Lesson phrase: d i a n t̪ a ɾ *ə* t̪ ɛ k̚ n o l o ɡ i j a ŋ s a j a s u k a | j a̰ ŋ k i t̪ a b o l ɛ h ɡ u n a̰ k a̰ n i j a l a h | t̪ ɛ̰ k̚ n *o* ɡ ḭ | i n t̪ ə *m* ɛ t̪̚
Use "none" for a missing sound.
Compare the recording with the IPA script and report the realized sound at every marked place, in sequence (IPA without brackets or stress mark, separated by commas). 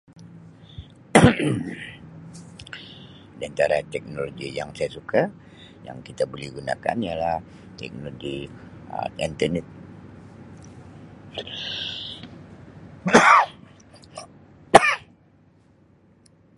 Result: a, o, n